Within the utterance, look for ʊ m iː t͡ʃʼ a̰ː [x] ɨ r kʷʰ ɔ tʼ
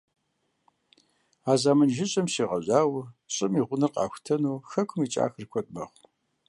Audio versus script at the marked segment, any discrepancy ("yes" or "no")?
no